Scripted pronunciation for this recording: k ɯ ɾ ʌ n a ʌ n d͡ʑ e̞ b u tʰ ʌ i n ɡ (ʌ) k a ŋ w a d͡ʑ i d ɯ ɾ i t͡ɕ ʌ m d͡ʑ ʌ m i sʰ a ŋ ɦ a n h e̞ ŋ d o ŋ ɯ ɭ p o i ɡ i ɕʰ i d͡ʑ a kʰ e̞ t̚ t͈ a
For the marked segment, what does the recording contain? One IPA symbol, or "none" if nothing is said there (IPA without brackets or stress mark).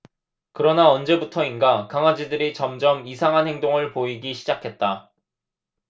a